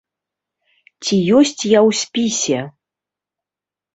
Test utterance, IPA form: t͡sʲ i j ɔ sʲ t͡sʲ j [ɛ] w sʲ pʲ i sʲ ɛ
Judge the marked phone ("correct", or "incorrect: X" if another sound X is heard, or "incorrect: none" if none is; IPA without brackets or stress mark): incorrect: a